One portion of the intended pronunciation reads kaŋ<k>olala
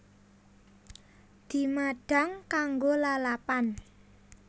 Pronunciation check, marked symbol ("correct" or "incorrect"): incorrect